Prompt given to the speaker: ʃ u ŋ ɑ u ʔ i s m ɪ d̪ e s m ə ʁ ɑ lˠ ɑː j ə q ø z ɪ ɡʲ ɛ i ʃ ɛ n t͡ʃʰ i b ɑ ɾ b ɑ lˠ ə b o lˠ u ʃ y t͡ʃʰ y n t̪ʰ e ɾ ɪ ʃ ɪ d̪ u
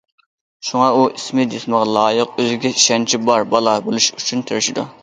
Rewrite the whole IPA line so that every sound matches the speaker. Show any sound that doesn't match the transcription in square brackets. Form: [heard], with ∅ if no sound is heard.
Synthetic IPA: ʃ u ŋ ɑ u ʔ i s m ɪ d̪ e s m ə ʁ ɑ lˠ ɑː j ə q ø z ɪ ɡʲ ɛ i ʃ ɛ n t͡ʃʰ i b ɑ ɾ b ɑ lˠ [ɑ] b o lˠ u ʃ y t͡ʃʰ y n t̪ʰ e ɾ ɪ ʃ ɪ d̪ u